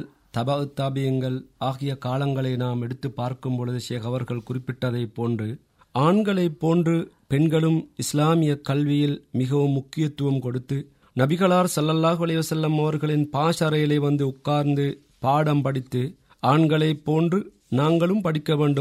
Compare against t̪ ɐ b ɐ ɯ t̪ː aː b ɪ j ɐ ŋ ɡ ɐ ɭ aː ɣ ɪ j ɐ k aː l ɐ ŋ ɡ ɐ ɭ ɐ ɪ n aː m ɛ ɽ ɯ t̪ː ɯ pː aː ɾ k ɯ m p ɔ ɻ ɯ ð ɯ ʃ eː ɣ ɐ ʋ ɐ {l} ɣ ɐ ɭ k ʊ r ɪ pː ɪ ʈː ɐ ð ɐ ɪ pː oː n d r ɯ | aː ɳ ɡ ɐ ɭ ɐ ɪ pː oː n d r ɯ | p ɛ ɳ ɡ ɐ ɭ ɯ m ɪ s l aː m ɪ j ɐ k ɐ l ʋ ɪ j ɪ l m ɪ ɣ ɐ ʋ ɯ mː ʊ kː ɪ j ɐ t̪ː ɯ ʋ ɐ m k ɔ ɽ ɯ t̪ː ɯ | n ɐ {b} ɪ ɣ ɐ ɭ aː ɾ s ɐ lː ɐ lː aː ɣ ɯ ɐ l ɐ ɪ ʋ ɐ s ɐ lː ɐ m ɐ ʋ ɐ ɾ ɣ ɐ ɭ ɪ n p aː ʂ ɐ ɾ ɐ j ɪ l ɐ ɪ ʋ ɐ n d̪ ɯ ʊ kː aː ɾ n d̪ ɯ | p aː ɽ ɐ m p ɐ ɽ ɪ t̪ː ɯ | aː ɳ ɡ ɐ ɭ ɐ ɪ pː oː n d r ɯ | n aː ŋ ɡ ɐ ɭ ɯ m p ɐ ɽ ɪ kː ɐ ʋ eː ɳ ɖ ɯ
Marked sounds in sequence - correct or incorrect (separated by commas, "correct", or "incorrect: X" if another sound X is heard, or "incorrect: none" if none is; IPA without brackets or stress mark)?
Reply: incorrect: ɾ, correct